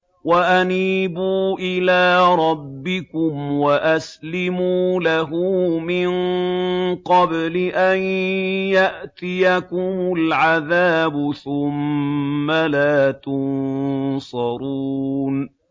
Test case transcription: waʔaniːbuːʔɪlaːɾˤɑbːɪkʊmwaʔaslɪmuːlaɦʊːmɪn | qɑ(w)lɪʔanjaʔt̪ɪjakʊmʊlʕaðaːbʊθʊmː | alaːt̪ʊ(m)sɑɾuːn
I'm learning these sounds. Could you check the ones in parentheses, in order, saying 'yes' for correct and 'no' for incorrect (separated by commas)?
no, no